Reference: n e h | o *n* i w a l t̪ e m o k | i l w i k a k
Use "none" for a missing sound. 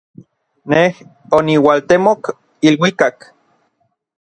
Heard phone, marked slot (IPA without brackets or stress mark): n